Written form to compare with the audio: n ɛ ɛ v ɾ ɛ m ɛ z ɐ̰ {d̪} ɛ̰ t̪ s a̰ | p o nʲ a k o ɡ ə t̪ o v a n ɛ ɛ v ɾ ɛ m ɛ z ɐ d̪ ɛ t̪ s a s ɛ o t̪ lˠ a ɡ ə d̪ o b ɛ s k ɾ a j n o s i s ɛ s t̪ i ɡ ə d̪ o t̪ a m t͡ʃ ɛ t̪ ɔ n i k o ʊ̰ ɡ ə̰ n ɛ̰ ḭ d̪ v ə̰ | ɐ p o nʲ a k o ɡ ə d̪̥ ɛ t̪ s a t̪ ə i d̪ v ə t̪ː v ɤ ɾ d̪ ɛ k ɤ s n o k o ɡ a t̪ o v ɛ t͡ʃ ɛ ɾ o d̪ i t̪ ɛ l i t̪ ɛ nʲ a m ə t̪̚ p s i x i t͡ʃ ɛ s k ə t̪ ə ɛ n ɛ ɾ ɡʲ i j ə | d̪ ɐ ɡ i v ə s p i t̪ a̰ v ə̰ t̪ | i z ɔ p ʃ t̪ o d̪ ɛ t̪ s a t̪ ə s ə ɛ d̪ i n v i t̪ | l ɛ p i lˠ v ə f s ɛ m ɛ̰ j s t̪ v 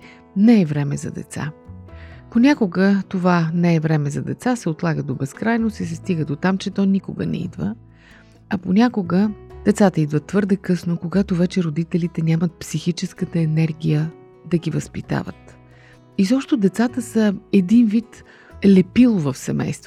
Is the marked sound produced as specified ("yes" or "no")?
yes